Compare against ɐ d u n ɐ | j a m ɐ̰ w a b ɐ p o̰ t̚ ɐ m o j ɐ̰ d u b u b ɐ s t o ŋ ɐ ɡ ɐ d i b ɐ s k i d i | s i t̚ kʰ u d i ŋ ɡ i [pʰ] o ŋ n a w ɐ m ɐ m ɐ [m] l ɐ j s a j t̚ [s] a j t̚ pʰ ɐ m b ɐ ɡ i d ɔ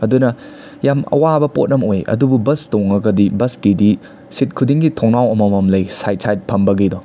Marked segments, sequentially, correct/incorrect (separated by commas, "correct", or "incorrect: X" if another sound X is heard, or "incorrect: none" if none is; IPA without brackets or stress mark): incorrect: tʰ, correct, correct